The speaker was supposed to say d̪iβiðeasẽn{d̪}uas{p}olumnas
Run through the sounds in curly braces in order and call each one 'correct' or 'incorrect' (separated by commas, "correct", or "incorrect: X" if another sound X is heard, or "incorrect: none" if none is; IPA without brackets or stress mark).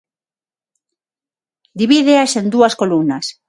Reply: correct, incorrect: k